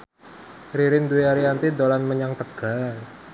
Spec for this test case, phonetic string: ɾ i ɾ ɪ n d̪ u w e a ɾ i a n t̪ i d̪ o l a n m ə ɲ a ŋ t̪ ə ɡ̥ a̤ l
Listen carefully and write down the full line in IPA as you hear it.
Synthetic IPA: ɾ i ɾ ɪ n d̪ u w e a ɾ i a n t̪ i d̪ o l a n m ə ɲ a ŋ t̪ ə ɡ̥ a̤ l